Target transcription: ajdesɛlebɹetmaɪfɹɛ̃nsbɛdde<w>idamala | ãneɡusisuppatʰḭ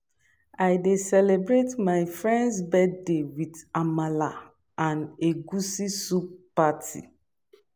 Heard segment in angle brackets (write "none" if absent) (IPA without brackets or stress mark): w